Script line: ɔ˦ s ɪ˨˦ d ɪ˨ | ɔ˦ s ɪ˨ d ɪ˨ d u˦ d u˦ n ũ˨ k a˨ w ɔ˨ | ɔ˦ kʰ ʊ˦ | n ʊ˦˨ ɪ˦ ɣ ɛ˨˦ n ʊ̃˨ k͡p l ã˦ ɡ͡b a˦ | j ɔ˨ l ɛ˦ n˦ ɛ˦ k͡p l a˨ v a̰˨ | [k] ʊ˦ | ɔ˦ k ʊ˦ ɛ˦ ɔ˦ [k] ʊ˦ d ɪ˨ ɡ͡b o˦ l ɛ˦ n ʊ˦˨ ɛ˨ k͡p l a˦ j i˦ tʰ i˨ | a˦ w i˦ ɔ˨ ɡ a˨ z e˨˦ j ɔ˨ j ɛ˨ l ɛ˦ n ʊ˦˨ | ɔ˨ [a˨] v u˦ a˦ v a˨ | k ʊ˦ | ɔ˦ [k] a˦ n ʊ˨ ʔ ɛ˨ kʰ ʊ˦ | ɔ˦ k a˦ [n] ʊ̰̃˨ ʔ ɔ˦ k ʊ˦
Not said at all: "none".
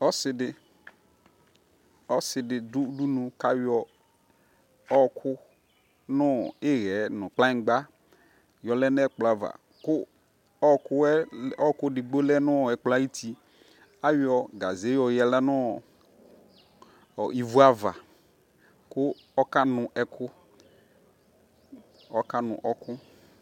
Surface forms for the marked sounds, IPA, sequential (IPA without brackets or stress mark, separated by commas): k, k, i˨, k, n